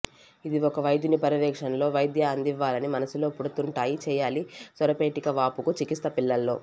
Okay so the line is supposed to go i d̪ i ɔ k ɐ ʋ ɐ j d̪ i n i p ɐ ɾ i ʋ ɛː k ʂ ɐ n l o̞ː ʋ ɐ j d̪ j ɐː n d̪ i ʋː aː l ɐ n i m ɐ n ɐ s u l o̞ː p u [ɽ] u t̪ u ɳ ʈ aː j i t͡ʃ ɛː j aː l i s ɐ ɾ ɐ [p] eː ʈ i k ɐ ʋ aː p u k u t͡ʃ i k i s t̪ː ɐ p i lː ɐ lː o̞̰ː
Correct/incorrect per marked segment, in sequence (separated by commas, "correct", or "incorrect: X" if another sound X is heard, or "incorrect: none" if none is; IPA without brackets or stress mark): correct, correct